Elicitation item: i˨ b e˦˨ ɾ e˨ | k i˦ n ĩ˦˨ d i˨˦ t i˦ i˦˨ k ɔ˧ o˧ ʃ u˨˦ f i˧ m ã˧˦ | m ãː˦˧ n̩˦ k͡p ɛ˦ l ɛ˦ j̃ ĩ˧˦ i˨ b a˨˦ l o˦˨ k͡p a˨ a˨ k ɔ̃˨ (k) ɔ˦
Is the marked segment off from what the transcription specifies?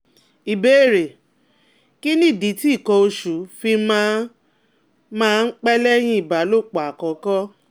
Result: no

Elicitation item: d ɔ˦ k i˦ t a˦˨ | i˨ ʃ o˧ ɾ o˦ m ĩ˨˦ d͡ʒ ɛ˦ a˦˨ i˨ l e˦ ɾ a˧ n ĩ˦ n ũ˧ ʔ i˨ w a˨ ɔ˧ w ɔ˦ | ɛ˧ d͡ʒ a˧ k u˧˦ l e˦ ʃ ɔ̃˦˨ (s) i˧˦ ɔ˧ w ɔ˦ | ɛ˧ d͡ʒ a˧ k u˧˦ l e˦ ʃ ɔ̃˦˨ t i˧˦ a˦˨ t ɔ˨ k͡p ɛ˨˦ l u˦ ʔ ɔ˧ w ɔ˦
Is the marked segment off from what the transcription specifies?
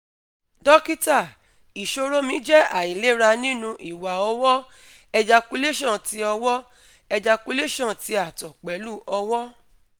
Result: yes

